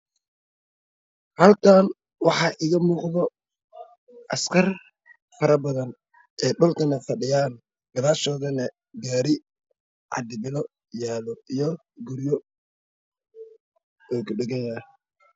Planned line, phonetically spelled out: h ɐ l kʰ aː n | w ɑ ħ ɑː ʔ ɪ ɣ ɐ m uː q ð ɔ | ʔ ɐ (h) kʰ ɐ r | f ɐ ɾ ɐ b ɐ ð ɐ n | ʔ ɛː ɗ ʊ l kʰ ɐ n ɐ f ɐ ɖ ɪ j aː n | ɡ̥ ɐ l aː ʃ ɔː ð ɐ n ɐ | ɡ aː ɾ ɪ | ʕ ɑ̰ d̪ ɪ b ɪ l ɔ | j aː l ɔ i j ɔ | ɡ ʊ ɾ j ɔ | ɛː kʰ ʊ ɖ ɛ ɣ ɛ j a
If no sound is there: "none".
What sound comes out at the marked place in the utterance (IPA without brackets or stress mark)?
s